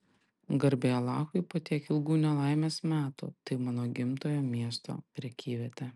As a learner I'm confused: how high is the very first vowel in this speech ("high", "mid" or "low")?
low